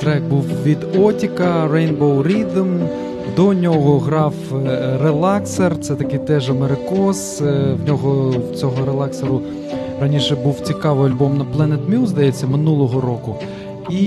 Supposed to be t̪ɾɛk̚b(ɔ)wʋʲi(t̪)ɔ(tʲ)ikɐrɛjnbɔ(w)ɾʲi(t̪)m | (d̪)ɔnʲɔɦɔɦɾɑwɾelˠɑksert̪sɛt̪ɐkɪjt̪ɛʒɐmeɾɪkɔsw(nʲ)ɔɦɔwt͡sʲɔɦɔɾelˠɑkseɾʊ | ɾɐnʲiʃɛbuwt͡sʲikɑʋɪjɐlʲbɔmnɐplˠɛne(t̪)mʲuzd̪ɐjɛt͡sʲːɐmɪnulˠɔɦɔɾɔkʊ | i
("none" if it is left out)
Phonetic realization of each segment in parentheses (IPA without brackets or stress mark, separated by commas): u, d̪, tʲ, w, d̪, d̪, nʲ, t̪